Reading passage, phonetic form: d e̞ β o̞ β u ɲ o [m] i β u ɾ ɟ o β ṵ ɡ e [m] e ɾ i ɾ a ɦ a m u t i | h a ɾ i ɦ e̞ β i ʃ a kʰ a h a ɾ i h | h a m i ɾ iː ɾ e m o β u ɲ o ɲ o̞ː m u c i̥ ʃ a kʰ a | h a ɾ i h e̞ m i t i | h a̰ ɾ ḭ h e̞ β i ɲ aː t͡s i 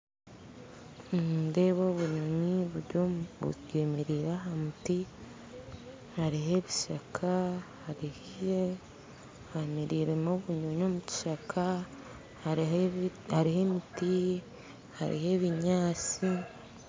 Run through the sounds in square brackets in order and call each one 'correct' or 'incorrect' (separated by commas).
incorrect, correct